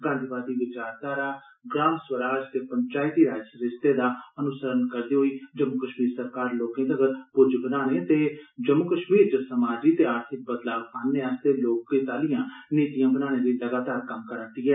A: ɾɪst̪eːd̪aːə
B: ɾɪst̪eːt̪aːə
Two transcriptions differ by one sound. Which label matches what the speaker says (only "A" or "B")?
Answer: A